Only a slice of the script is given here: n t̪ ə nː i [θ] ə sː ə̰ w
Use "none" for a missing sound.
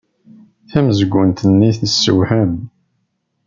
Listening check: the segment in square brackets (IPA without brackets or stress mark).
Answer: θ